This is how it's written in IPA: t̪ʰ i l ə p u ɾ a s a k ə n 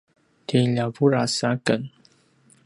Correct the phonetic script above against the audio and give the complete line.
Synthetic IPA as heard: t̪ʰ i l a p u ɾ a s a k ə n